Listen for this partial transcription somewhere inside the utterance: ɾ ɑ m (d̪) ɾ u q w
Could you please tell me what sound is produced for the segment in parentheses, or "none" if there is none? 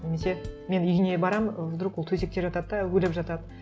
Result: d̪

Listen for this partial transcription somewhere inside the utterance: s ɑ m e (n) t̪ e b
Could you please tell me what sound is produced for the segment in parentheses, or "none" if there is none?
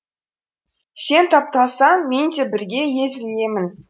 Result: n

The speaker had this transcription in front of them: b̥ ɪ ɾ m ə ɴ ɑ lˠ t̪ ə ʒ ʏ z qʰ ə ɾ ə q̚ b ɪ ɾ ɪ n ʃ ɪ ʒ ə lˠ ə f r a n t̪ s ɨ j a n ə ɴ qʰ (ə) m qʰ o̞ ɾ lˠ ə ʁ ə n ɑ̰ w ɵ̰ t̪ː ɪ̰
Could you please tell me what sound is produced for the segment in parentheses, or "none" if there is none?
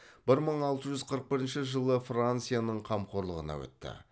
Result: ɑ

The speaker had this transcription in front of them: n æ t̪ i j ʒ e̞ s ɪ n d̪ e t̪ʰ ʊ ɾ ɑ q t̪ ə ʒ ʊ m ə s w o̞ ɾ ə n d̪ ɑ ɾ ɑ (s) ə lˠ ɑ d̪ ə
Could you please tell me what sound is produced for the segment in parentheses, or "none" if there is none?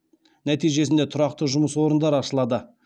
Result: ʃ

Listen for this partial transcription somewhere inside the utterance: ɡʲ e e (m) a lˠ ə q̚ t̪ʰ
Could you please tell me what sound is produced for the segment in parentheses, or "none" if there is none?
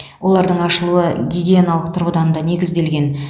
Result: n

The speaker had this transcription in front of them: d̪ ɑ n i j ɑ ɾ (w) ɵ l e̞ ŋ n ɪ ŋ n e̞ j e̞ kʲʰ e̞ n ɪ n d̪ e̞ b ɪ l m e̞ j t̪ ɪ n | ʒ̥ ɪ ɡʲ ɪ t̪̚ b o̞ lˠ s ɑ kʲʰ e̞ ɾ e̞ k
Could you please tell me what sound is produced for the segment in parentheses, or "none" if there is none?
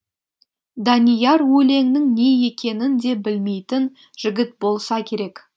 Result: w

